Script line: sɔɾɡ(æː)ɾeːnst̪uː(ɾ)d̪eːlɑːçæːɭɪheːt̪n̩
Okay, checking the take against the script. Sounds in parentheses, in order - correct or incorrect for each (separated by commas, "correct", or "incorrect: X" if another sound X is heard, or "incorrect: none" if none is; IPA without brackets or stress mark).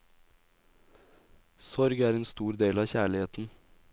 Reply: correct, correct